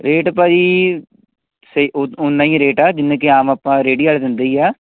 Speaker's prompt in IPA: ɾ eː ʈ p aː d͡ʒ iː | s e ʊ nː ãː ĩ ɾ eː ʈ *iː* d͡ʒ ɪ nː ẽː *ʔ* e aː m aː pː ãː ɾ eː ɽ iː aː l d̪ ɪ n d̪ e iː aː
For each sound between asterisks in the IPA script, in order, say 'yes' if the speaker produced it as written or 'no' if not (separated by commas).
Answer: no, no